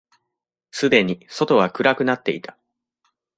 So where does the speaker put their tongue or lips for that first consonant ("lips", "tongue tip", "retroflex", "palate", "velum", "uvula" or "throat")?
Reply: tongue tip